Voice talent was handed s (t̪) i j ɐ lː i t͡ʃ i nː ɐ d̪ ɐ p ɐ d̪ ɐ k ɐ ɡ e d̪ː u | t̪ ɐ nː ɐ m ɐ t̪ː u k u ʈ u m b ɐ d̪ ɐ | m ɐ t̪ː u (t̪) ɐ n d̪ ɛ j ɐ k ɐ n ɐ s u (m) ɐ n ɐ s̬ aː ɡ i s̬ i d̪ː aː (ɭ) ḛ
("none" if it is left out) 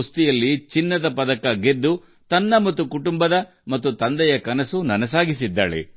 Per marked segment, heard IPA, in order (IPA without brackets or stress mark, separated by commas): t̪, t̪, n, ɭ